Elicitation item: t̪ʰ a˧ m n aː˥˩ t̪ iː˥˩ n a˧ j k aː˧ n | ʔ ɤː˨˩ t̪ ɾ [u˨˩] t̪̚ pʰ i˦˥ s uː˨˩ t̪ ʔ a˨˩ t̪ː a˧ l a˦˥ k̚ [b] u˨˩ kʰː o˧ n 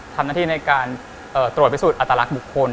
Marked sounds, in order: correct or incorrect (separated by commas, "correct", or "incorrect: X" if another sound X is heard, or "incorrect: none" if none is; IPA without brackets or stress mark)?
correct, correct